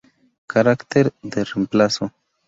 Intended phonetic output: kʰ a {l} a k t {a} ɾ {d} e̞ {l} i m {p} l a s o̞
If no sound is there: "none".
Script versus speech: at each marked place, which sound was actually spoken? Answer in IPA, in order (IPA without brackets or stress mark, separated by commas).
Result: ɾ, e, d, ɾ, p